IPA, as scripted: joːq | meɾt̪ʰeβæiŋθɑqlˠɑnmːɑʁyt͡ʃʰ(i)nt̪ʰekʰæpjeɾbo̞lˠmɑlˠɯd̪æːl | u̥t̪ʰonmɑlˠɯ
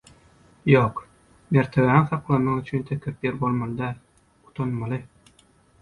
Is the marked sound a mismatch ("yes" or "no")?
yes